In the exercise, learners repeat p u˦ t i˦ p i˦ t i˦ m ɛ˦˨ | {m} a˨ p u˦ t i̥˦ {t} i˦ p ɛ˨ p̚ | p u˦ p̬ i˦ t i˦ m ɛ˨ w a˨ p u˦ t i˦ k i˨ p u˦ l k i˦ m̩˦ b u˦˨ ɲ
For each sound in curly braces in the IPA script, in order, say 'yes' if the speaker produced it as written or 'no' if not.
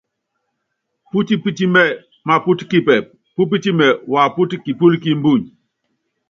yes, no

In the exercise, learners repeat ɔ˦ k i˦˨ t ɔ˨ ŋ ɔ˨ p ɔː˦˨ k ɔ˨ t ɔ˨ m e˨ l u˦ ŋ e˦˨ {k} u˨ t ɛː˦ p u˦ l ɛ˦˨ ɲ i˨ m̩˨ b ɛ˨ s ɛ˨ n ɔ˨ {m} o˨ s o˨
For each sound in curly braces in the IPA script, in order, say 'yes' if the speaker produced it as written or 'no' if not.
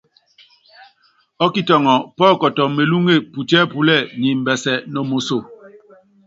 no, yes

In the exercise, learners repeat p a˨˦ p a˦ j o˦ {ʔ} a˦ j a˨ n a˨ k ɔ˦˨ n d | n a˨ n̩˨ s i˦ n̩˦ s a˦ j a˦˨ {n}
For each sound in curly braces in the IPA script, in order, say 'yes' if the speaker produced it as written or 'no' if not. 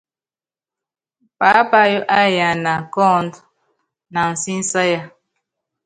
yes, no

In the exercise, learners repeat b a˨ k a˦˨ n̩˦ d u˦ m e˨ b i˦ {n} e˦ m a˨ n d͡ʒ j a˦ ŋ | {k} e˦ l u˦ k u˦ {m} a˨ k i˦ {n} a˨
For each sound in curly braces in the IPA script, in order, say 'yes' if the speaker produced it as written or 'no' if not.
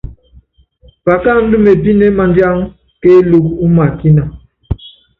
yes, yes, yes, yes

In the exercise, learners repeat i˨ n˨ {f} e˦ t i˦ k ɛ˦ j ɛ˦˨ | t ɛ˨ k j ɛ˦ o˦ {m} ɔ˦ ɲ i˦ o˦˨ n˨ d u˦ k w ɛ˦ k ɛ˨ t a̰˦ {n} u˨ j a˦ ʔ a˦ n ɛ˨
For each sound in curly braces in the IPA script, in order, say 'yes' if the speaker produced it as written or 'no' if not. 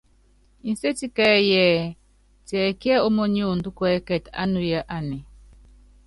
no, yes, yes

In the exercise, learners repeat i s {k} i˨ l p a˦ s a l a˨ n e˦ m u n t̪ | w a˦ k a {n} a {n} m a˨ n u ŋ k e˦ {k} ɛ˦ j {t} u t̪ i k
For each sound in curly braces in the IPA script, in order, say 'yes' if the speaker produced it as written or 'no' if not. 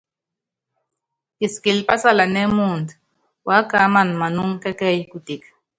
yes, no, yes, yes, no

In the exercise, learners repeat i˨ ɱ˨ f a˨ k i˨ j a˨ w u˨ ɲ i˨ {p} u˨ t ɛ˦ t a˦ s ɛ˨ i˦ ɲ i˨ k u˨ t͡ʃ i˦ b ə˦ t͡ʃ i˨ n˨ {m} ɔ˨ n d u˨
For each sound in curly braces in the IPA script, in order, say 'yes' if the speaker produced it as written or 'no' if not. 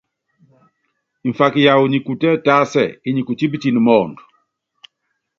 no, yes

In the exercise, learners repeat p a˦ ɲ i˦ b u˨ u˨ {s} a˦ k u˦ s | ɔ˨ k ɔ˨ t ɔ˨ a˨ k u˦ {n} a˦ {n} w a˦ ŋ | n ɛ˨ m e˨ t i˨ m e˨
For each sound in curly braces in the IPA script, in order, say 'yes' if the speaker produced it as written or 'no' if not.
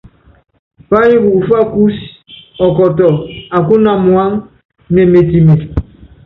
no, yes, no

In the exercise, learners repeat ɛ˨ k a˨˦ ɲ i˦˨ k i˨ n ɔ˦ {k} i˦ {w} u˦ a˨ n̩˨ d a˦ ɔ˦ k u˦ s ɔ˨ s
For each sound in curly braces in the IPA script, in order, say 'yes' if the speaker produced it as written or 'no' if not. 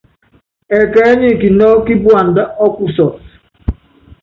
yes, no

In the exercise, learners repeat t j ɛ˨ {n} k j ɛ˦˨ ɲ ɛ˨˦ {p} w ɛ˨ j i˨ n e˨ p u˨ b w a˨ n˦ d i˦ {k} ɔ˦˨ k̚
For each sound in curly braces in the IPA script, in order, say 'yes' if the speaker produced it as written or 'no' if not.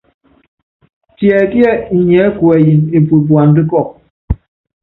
no, no, yes

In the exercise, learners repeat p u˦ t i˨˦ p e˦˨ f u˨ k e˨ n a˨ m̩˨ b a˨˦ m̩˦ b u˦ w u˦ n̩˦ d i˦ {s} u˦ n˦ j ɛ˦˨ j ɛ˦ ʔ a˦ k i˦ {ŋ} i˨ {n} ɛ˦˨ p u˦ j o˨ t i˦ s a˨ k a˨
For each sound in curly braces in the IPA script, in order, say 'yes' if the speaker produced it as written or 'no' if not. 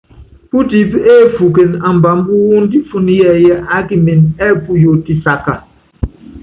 no, no, yes

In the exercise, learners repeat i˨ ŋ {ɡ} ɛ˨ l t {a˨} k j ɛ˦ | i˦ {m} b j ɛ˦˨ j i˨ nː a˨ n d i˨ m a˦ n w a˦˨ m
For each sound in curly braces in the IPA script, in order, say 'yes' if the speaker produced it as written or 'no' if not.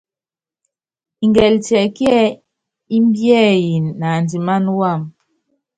yes, no, yes

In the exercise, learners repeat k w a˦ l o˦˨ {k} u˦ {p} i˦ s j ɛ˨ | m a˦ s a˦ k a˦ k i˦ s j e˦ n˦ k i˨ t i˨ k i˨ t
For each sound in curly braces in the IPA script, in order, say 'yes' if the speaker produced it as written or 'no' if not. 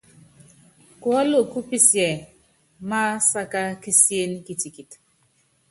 yes, yes

